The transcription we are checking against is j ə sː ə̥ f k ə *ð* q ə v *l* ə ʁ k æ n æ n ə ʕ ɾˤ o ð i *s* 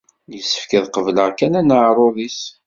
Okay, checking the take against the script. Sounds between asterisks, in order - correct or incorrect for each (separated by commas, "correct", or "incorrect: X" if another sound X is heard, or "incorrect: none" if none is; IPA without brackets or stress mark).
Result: correct, correct, correct